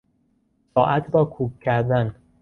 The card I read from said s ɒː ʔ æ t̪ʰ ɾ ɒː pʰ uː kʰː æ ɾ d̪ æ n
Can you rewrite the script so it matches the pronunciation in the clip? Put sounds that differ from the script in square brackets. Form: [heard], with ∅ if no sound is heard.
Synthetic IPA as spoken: s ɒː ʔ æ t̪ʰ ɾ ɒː [kʰ] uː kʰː æ ɾ d̪ æ n